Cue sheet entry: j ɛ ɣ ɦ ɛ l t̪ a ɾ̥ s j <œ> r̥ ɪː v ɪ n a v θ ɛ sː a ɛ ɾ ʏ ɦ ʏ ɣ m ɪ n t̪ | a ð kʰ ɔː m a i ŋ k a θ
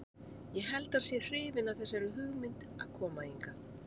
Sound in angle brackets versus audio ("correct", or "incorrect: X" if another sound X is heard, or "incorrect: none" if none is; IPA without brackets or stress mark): incorrect: ɛ